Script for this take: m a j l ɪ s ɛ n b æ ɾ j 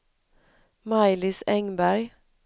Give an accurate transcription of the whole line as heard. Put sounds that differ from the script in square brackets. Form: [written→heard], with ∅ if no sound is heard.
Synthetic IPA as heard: m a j l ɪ s ɛ [n→ŋ] b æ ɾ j

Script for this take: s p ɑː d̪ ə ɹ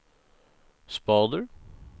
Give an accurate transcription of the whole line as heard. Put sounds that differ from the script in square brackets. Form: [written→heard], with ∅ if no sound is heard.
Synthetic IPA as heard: s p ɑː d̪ ə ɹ

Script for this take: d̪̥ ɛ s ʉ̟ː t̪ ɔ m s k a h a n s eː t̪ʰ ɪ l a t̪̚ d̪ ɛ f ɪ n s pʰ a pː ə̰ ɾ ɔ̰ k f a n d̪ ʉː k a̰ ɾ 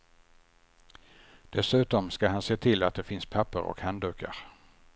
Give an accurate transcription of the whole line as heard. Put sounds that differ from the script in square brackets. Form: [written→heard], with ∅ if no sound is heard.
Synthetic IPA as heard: d̪̥ ɛ s ʉ̟ː t̪ ɔ m s k a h a n s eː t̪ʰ ɪ l a t̪̚ d̪ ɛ f ɪ n s pʰ a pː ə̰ ɾ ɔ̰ k [f→h] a n d̪ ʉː k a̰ ɾ

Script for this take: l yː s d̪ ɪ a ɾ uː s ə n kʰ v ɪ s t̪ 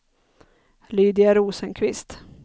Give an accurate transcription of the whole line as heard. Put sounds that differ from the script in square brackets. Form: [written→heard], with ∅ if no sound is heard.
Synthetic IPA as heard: l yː [s→∅] d̪ ɪ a ɾ uː s ə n kʰ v ɪ s t̪

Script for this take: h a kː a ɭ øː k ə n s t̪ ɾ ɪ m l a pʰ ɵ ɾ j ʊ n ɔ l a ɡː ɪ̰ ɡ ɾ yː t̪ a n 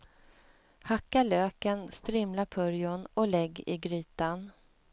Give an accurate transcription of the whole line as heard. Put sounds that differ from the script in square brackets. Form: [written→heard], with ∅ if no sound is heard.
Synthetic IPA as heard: h a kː a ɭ øː k ə n s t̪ ɾ ɪ m l a pʰ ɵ ɾ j ʊ n ɔ l [a→ɛ] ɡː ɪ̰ ɡ ɾ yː t̪ a n

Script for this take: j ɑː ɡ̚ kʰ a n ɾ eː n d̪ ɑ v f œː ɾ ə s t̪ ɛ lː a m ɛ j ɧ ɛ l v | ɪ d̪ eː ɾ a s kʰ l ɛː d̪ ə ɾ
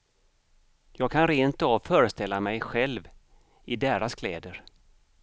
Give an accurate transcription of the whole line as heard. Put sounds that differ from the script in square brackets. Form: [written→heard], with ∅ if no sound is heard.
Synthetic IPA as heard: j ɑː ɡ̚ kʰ a n ɾ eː n [d̪→t̪] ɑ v f œː ɾ ə s t̪ ɛ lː a m ɛ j ɧ ɛ l v | ɪ d̪ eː ɾ a s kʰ l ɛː d̪ ə ɾ

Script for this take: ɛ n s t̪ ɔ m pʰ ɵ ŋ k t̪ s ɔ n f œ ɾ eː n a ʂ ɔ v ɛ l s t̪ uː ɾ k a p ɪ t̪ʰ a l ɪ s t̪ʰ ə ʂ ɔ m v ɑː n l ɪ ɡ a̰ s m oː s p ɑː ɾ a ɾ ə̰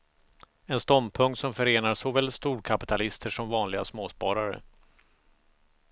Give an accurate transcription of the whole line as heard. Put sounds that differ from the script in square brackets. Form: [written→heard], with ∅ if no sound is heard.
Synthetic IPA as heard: ɛ n s t̪ ɔ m pʰ ɵ ŋ k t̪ s ɔ [n→m] f œ ɾ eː n a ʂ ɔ v ɛ l s t̪ uː ɾ [k→kʰ] a p ɪ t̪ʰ a l ɪ s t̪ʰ ə ʂ ɔ m v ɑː n l ɪ ɡ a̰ s m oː s p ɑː ɾ a ɾ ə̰

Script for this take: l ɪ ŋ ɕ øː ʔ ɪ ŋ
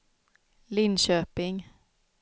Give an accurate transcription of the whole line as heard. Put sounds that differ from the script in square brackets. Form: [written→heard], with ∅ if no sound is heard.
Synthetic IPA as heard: l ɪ [ŋ→n] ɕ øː [ʔ→p] ɪ ŋ

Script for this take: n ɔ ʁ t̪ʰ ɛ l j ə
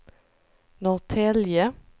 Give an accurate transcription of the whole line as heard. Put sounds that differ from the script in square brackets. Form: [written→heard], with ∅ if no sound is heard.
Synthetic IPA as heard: n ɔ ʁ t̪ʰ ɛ l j ə

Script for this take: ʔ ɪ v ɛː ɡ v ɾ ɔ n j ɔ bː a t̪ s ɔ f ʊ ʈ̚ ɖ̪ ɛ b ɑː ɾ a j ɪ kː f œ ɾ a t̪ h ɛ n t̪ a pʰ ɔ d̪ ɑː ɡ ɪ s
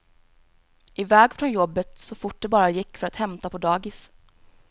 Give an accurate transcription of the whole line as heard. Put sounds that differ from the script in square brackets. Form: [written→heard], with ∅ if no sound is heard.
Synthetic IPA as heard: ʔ ɪ v ɛː ɡ [v→f] ɾ ɔ n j ɔ bː [a→ə] t̪ s ɔ f ʊ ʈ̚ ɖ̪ ɛ b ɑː ɾ a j ɪ kː f œ ɾ a t̪ h ɛ [n→m] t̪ a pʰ ɔ d̪ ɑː ɡ ɪ s

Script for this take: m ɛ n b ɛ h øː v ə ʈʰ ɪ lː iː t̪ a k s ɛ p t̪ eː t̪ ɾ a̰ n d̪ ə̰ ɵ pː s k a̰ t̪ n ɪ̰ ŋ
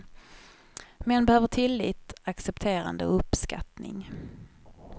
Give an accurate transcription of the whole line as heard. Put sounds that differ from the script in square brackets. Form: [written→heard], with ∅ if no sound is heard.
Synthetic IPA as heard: m ɛ n b ɛ h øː v ə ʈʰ ɪ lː iː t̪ a k s ɛ p [t̪→t̪ʰ] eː [t̪→∅] ɾ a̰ n d̪ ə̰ ɵ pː s k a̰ t̪ n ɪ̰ ŋ

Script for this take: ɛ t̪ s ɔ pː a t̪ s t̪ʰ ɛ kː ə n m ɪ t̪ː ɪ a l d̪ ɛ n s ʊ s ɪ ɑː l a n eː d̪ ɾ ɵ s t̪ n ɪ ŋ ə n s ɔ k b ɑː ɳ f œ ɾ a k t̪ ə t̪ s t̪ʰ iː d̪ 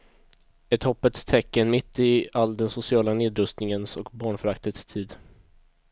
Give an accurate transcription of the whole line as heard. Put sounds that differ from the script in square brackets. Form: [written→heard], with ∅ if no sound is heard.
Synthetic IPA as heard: ɛ t̪ [s→h] ɔ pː [a→ə] t̪ s t̪ʰ ɛ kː ə n m ɪ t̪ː ɪ a l d̪ ɛ n s ʊ s ɪ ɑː l a n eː d̪ ɾ ɵ s t̪ n ɪ ŋ ə n s ɔ k b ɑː ɳ f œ ɾ a k t̪ ə t̪ s t̪ʰ iː d̪

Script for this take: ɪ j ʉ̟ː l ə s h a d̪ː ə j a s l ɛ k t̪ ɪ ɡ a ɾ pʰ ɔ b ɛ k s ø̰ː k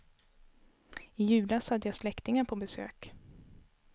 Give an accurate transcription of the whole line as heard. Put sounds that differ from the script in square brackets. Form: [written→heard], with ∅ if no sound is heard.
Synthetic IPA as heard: ɪ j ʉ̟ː l [ə→a] s h a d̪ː ə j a s l ɛ k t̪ ɪ [ɡ→ŋ] a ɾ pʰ ɔ b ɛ [k→∅] s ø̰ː k

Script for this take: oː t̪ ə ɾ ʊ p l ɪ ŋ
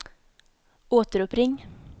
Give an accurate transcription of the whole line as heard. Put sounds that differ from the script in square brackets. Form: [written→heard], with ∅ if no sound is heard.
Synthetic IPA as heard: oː t̪ ə ɾ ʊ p [l→ɾ] ɪ ŋ

